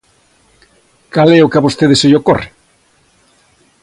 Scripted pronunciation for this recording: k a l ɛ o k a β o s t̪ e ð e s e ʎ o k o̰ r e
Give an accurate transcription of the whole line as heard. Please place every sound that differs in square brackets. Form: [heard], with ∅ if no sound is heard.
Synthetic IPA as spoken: k a l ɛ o k a β o s t̪ e ð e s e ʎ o k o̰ r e